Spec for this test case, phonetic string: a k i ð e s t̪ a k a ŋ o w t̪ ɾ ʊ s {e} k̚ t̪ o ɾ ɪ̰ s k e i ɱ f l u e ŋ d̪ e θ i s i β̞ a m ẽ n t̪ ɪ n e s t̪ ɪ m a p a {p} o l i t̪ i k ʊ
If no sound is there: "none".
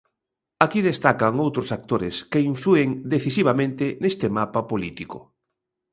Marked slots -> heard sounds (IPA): a, p

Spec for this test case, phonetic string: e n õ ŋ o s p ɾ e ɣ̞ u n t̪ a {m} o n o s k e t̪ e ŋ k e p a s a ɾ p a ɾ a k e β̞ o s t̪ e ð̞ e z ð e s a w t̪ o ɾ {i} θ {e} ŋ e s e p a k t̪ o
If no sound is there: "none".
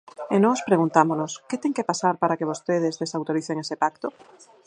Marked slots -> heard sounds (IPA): m, i, e

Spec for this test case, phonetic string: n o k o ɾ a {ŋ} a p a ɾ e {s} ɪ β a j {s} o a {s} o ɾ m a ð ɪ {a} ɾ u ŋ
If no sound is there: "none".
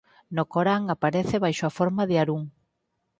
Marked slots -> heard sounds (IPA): ŋ, θ, ʃ, f, a

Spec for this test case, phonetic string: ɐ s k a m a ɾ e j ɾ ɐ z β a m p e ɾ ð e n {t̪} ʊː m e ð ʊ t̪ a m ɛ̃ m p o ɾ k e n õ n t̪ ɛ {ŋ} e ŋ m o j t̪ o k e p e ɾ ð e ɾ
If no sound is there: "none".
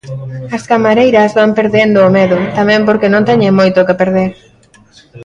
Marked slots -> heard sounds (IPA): d̪, ɲ

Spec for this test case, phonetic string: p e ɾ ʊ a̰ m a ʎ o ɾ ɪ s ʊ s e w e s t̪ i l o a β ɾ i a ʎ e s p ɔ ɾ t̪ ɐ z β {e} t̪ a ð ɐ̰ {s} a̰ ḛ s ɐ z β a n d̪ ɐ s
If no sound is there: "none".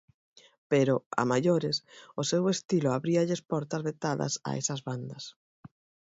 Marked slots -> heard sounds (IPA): e, s

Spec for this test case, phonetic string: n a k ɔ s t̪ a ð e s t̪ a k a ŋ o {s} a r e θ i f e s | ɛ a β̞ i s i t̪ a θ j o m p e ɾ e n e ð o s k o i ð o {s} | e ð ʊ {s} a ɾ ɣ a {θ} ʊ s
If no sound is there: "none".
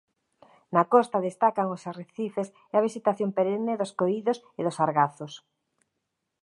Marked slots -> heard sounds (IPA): s, s, s, θ

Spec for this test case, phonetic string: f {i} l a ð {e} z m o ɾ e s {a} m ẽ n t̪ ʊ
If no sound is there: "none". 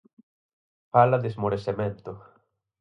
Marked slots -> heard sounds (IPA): a, e, e

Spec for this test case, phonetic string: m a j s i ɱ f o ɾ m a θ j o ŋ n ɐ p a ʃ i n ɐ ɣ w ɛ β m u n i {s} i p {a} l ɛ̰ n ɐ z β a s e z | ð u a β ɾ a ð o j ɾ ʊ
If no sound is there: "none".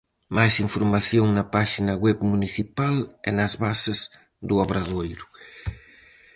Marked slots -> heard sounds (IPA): θ, a

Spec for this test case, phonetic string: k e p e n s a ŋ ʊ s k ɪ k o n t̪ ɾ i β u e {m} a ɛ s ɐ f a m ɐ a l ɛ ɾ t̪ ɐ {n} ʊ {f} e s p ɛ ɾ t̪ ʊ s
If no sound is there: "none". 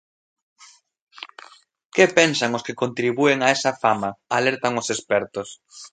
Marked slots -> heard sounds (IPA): ŋ, ŋ, s

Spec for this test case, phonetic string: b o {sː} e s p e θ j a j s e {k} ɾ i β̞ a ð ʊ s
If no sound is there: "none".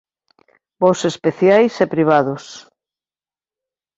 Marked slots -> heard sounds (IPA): s, p

